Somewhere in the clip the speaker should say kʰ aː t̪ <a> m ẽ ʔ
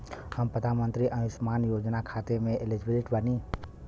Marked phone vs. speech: incorrect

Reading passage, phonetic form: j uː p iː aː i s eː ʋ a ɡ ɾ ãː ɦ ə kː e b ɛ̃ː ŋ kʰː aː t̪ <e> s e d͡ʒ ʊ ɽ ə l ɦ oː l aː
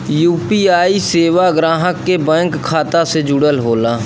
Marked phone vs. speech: incorrect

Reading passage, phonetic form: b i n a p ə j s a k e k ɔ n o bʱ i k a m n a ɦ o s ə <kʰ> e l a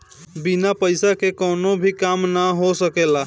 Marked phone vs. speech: incorrect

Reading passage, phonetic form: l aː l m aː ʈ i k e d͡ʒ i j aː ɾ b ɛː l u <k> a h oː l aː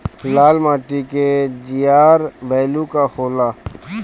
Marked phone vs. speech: correct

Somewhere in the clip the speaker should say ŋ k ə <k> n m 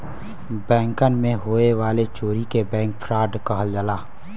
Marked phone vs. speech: incorrect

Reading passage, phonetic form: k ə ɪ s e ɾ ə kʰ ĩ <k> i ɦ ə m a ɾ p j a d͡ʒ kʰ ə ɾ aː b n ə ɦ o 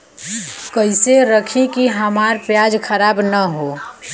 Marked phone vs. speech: correct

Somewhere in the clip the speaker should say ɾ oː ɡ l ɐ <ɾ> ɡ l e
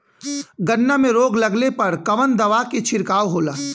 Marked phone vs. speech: incorrect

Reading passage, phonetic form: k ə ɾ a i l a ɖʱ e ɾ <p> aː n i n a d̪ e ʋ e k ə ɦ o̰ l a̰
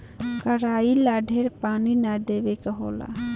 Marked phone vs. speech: correct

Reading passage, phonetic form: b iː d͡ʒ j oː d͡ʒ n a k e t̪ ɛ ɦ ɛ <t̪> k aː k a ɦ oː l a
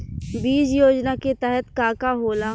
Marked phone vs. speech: correct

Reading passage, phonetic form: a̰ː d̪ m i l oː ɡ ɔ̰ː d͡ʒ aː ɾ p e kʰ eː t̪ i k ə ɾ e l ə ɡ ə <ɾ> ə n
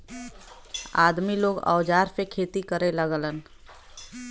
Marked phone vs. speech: incorrect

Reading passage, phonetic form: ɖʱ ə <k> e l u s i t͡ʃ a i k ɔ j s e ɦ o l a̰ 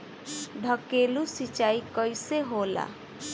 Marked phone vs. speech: correct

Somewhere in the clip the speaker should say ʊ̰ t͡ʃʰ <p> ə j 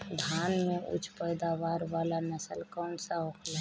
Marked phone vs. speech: correct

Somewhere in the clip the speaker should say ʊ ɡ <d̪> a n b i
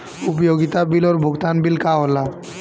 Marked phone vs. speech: incorrect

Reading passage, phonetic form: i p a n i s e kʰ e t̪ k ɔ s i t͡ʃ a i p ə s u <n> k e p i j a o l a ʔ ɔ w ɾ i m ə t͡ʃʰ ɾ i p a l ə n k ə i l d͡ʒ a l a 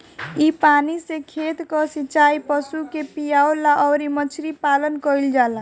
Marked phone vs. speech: incorrect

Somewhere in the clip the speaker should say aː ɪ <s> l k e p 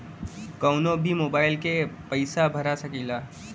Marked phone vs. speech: incorrect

